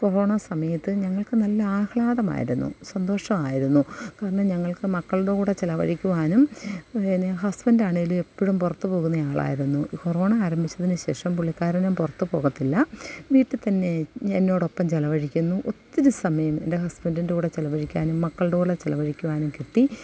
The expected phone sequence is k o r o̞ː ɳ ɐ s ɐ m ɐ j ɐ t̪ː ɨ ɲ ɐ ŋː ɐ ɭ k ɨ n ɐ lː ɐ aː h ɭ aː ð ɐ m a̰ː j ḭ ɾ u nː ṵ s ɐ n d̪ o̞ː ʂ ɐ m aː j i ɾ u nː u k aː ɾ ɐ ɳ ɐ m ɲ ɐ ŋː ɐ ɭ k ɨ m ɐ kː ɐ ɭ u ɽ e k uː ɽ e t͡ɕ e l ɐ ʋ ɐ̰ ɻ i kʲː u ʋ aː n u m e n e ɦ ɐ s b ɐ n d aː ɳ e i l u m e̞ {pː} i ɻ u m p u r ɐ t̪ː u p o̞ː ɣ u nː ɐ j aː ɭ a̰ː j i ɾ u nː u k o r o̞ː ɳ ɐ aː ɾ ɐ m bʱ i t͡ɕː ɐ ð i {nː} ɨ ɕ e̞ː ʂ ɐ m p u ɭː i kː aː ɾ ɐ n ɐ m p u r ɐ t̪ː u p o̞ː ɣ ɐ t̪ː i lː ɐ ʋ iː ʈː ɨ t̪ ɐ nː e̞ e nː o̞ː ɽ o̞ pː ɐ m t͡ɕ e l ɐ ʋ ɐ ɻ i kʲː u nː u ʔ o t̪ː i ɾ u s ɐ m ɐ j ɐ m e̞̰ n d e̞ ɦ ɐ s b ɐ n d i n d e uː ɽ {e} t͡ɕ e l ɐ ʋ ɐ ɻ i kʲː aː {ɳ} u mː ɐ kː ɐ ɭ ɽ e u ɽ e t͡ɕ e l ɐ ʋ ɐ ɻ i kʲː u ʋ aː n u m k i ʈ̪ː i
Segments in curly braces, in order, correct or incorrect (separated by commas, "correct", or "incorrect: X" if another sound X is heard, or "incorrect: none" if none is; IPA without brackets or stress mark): correct, incorrect: n, correct, incorrect: n